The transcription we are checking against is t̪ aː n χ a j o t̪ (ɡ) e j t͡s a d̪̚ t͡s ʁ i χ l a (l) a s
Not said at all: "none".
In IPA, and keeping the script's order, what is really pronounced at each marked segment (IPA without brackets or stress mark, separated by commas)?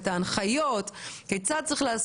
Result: k, none